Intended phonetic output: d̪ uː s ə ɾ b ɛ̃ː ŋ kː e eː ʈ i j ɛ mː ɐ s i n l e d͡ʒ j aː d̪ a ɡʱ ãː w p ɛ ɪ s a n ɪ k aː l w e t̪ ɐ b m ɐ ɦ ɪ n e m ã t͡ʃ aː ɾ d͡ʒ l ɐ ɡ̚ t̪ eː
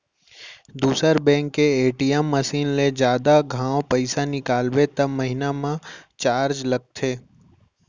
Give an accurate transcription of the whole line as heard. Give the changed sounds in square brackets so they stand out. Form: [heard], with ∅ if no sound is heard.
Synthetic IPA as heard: d̪ uː s ə ɾ b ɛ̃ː ŋ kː e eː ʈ i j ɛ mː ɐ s [iː] n l e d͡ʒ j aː d̪ a ɡʱ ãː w p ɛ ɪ s a n ɪ k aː l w e t̪ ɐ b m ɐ ɦ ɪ n [a] m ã t͡ʃ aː ɾ d͡ʒ l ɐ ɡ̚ [t̪ʰ] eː